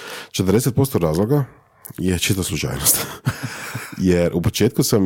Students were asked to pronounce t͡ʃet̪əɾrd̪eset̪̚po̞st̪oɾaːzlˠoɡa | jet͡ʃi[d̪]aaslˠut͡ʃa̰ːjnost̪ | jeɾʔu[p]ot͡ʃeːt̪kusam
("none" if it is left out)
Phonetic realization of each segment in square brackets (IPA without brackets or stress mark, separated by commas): t̪, p